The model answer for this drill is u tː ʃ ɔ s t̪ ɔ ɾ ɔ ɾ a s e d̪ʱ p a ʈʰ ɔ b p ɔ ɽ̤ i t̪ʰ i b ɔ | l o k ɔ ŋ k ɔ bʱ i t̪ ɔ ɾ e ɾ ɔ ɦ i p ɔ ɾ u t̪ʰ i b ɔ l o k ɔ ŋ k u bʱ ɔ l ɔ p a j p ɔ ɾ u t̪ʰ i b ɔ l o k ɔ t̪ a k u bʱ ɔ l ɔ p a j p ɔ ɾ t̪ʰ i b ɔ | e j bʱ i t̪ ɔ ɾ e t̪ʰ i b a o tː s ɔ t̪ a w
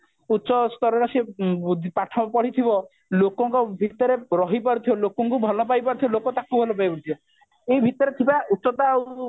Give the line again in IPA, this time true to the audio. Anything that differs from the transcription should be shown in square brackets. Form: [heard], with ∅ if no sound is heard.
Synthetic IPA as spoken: u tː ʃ ɔ s t̪ ɔ ɾ ɔ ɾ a s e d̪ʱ p a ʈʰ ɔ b p ɔ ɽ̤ i t̪ʰ i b ɔ | l o k ɔ ŋ k ɔ bʱ i t̪ ɔ ɾ e ɾ ɔ ɦ i p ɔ ɾ u t̪ʰ i b ɔ l o k ɔ ŋ k u bʱ ɔ l ɔ p a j p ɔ ɾ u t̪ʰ i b ɔ l o k ɔ t̪ a k u bʱ ɔ l ɔ p a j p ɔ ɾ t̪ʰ i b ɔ | e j bʱ i t̪ ɔ ɾ e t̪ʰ i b a [u] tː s ɔ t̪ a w